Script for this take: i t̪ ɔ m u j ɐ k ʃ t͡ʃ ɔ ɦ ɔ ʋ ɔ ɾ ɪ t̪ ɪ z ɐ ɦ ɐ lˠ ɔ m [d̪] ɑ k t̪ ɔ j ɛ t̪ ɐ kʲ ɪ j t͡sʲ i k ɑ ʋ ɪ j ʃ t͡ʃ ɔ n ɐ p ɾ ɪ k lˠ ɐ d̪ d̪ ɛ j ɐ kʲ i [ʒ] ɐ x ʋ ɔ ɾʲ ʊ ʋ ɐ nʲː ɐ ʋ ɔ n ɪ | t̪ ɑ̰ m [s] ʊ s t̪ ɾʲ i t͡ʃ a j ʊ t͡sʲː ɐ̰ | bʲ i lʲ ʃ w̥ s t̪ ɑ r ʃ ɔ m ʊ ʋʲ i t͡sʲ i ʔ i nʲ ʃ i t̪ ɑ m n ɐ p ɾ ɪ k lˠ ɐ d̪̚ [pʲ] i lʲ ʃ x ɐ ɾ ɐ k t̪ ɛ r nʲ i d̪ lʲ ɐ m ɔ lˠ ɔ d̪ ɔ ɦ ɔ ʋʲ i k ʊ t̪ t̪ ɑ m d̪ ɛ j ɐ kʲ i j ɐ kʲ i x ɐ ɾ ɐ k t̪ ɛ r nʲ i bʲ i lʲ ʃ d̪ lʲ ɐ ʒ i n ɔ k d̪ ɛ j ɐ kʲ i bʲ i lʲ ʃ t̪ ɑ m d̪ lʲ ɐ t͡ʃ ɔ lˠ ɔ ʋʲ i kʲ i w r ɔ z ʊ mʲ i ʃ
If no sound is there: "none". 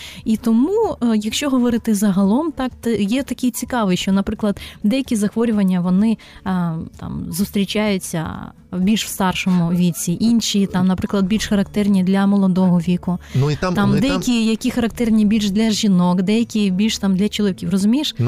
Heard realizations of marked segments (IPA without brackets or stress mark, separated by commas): t̪, z, z, bʲ